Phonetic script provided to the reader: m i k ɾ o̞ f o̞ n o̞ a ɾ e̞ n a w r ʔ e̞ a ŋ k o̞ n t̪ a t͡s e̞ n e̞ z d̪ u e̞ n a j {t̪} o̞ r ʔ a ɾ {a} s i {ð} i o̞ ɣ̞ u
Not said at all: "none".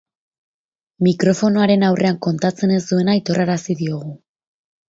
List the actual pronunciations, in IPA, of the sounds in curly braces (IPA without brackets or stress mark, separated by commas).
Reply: t̪, a, ð